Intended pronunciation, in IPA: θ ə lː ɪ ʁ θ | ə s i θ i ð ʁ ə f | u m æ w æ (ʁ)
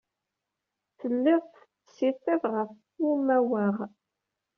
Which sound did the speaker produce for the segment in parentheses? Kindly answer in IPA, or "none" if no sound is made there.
ʁ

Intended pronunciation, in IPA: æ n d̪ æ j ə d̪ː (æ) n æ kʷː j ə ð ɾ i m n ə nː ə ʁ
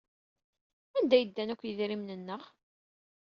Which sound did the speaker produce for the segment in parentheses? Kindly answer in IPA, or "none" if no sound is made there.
æ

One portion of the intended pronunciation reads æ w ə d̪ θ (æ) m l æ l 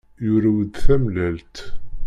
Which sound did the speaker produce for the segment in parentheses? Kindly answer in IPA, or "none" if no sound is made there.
æ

